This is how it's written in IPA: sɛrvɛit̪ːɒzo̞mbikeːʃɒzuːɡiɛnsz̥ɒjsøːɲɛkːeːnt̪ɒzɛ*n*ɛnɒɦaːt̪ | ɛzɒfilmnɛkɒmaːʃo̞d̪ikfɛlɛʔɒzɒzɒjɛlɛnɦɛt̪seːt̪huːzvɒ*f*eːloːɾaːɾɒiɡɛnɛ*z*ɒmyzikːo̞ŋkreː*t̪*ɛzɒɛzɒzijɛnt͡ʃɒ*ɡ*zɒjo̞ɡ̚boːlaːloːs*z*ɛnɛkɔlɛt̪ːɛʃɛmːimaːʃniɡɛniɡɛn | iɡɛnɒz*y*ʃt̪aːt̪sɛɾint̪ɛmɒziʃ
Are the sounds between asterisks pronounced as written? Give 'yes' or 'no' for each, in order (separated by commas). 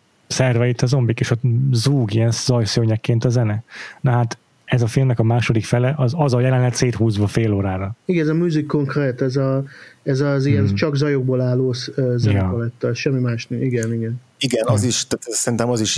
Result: yes, yes, yes, yes, yes, yes, no